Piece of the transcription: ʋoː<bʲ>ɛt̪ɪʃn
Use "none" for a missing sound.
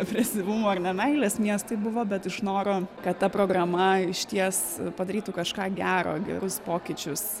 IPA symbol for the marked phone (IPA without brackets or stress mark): bʲ